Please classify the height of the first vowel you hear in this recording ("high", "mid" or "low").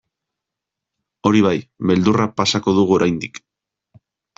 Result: mid